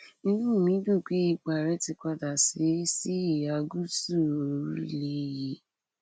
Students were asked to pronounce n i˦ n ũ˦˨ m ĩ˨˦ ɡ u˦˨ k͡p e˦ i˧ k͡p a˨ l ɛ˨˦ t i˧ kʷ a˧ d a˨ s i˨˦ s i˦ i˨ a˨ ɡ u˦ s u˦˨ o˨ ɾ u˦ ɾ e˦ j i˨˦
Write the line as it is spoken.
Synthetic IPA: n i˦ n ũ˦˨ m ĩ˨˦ d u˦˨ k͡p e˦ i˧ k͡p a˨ ɾ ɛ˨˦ t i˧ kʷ a˧ d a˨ s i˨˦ s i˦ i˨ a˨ ɡ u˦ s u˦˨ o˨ ɾ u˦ l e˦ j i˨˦